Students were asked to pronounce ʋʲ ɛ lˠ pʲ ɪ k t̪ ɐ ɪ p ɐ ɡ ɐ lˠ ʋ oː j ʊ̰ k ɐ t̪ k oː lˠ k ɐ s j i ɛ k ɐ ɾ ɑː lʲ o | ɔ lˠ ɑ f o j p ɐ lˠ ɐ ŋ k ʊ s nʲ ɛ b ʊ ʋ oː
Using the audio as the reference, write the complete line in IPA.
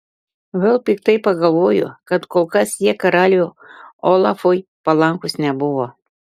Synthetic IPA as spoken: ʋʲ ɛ lˠ pʲ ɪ k t̪ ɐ ɪ p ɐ ɡ ɐ lˠ ʋ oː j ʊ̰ k ɐ t̪ k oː lˠ k ɐ s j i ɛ k ɐ ɾ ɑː lʲ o | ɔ lˠ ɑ f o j p ɐ lˠ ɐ ŋ k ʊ s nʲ ɛ b ʊ ʋ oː

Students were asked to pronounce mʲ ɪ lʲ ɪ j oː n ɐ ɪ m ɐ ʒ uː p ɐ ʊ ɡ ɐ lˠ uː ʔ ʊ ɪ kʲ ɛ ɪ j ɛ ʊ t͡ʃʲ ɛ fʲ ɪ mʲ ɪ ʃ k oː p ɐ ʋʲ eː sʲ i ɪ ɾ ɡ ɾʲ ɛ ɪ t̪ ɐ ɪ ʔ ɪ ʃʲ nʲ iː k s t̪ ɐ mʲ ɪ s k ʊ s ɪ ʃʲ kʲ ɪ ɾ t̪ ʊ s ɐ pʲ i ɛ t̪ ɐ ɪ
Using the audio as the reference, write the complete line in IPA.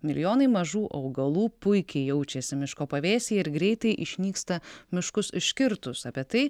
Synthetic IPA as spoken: mʲ ɪ lʲ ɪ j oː n ɐ ɪ m ɐ ʒ uː ʔ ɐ ʊ ɡ ɐ lˠ uː p ʊ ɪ kʲ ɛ ɪ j ɛ ʊ t͡ʃʲ ɛ sʲ ɪ mʲ ɪ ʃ k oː p ɐ ʋʲ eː sʲ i ɪ ɾ ɡ ɾʲ ɛ ɪ t̪ ɐ ɪ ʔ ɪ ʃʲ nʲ iː k s t̪ ɐ mʲ ɪ ʃ k ʊ s ɪ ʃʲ kʲ ɪ ɾ t̪ ʊ s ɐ pʲ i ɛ t̪ ɐ ɪ

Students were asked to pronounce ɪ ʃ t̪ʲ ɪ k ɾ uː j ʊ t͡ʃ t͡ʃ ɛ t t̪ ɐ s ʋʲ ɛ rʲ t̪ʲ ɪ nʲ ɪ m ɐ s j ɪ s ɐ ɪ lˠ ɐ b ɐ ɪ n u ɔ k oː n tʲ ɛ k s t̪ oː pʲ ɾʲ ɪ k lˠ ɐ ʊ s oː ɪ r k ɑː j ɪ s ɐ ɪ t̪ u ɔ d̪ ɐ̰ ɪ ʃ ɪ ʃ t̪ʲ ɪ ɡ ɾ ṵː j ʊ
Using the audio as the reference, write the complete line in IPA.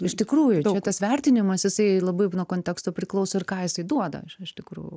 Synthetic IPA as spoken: ɪ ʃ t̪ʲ ɪ k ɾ uː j ʊ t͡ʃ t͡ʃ ɛ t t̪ ɐ s ʋʲ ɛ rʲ t̪ʲ ɪ nʲ ɪ m ɐ s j ɪ s ɐ ɪ lˠ ɐ b ɐ ɪ n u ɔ k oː n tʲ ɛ k s t̪ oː pʲ ɾʲ ɪ k lˠ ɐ ʊ s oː ɪ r k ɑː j ɪ s ɐ ɪ d̪ u ɔ d̪ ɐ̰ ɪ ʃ ɪ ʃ t̪ʲ ɪ k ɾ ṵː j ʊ

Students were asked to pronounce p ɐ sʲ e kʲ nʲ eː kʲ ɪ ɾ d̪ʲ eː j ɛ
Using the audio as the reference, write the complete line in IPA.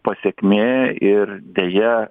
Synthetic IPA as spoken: p ɐ sʲ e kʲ mʲ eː ɪ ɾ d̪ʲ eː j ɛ

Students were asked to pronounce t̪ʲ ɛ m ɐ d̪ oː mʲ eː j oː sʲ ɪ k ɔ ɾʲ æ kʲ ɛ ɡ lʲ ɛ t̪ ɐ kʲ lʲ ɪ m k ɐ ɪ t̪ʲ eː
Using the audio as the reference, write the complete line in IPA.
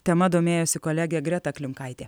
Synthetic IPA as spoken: t̪ʲ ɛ m ɐ d̪ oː mʲ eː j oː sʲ ɪ k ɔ lʲ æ ɡʲ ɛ ɡ ɾʲ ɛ t̪ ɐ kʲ lʲ ɪ m k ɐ ɪ t̪ʲ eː

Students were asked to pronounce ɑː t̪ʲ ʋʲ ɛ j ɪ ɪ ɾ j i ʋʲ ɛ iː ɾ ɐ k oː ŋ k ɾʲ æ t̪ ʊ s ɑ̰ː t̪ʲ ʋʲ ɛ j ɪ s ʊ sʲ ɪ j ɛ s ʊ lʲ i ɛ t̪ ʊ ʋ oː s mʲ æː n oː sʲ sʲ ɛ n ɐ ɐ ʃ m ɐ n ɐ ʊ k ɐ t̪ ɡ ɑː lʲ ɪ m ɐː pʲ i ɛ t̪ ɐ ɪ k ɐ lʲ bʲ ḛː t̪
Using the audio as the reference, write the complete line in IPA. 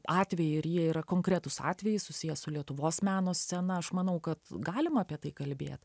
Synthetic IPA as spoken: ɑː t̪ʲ ʋʲ ɛ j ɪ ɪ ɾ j i ɛ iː ɾ ɐ k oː ŋ k ɾʲ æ t̪ ʊ s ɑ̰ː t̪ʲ ʋʲ ɛ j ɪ s ʊ sʲ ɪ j ɛ s ʊ lʲ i ɛ t̪ ʊ ʋ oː s mʲ æː n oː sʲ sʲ ɛ n ɐ ɐ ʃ m ɐ n ɐ ʊ k ɐ t̪ ɡ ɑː lʲ ɪ m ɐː pʲ i ɛ t̪ ɐ ɪ k ɐ lʲ bʲ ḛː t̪

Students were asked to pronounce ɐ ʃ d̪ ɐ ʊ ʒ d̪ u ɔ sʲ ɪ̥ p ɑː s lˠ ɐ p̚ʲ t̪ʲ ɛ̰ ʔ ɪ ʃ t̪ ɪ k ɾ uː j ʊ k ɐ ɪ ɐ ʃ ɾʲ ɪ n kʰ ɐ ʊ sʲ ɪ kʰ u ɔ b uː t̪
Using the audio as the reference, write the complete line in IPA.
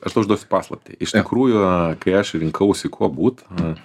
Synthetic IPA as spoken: ɐ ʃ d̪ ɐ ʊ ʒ d̪ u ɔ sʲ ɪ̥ p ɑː s lˠ ɐ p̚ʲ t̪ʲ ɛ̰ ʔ ɪ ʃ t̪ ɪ k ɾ uː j ʊ k ɐ ɪ ɐ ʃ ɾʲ ɪ ŋ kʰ ɐ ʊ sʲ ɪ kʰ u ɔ b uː t̪

